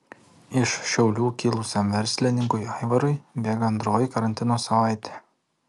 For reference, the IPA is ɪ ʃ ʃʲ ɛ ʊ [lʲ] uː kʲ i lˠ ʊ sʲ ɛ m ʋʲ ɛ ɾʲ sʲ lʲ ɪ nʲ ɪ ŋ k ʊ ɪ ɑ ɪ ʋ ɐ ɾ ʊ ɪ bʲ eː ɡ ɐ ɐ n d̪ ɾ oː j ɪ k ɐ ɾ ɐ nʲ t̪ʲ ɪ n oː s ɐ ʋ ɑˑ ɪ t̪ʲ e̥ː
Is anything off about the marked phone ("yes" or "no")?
no